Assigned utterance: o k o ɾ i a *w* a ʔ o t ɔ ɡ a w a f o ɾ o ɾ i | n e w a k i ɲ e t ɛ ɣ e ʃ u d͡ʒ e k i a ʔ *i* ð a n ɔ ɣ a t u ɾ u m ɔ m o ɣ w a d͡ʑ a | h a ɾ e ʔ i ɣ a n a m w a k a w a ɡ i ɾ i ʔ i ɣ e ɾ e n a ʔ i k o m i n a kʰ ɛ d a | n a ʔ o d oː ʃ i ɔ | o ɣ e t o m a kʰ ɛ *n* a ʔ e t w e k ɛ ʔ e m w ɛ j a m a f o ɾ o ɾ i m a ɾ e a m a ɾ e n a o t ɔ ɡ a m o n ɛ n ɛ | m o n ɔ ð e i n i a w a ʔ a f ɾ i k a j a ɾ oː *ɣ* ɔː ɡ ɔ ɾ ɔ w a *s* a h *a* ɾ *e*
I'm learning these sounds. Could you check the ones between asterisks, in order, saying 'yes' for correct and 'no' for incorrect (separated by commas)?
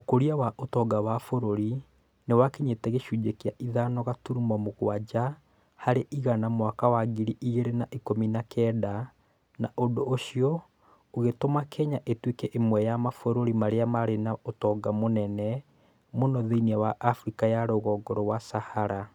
yes, yes, no, yes, yes, yes, no